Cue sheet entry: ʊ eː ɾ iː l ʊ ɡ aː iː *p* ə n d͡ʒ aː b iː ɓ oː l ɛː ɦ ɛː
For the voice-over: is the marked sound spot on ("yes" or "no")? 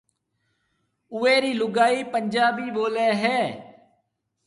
yes